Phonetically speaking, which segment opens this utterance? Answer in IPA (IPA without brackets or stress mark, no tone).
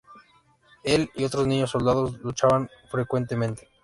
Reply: e̞